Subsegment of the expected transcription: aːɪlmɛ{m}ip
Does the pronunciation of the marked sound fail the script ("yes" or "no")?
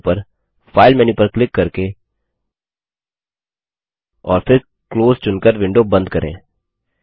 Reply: yes